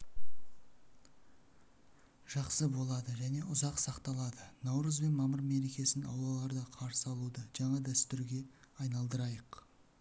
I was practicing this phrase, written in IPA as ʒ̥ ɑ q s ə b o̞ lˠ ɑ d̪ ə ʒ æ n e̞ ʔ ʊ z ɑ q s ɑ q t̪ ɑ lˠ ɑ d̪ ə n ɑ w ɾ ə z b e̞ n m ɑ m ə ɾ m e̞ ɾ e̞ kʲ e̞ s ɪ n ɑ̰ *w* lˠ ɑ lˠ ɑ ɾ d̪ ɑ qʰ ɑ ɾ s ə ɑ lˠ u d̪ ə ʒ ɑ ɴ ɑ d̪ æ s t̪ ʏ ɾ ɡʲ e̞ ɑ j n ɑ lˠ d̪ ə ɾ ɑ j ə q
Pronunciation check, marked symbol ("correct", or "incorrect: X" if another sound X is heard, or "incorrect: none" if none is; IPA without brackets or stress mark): correct